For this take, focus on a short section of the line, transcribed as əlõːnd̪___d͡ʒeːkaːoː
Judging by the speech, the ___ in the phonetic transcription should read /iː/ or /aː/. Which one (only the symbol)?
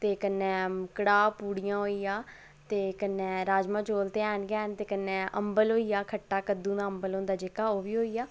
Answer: aː